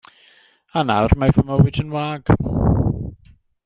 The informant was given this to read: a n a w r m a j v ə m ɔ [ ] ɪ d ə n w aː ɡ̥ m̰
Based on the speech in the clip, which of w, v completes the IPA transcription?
w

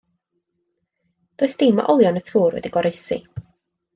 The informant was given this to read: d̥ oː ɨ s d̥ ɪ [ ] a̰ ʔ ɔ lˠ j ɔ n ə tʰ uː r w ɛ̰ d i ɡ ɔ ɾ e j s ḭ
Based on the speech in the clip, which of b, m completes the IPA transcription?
m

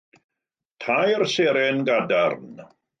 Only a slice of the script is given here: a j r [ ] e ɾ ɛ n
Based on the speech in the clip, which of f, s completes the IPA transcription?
s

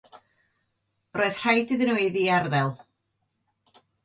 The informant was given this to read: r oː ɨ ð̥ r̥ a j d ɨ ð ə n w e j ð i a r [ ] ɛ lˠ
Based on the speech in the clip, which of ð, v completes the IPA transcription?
ð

